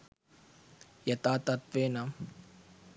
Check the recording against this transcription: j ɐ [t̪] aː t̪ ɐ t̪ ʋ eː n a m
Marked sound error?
no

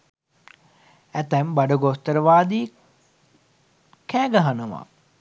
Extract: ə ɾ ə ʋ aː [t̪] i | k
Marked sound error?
yes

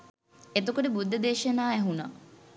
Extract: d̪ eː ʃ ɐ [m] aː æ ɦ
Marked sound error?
yes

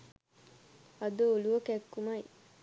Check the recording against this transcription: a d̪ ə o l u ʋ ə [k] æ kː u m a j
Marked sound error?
no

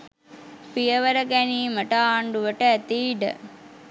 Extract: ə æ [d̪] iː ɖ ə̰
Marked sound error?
yes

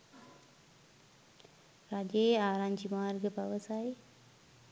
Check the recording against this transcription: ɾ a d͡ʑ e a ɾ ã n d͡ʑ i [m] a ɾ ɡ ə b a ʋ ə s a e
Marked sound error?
no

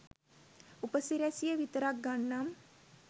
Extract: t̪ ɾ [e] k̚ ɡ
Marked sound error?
yes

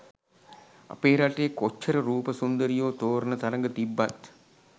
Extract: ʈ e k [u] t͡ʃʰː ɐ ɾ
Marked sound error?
yes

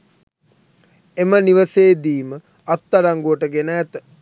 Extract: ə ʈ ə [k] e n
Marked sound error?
yes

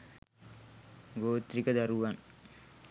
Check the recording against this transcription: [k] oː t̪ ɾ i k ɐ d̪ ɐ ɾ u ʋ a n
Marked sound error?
yes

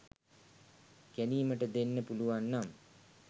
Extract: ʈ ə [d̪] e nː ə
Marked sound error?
no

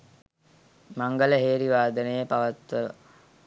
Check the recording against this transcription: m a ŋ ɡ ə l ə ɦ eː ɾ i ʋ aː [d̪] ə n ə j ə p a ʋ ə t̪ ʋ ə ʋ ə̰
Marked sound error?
no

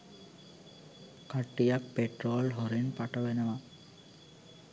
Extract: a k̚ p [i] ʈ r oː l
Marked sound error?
yes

